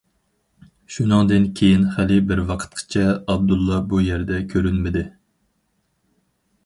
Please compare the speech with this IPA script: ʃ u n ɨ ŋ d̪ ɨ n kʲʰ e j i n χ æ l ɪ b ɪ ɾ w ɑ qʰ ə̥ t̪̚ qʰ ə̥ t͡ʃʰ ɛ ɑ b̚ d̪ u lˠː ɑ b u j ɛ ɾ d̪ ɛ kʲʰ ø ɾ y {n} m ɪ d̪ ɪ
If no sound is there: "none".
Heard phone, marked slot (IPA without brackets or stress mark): n